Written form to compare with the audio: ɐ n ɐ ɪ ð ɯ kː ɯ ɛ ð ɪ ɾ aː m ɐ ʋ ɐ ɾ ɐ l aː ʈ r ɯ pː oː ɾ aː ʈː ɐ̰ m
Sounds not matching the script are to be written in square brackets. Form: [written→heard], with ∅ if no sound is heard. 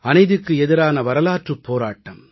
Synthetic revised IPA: ɐ n ɐ ɪ ð ɯ kː ɯ ɛ ð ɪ ɾ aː [m→n] ɐ ʋ ɐ ɾ ɐ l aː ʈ r ɯ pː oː ɾ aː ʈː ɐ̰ m